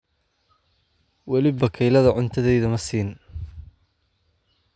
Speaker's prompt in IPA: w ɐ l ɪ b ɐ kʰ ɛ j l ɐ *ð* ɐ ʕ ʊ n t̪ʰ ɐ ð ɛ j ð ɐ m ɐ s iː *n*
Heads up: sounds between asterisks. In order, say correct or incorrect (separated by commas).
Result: correct, correct